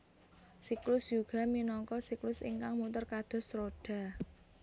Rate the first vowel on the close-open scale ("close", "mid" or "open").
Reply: close